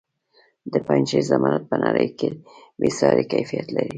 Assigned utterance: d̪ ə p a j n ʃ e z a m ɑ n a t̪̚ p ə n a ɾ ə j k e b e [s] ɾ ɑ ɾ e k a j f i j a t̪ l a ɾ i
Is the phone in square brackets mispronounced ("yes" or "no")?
no